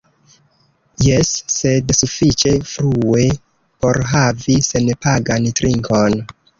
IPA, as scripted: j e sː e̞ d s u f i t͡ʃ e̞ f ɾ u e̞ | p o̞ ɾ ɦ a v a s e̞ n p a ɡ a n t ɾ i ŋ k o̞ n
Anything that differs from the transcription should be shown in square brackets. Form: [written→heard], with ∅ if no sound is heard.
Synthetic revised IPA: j e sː e̞ d s u f i t͡ʃ e̞ f ɾ u e̞ | p o̞ ɾ ɦ a v [a→i] s e̞ n p a ɡ a n t ɾ i ŋ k o̞ n